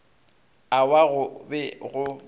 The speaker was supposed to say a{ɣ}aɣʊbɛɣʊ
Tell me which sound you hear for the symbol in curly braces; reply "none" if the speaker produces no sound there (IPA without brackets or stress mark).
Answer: w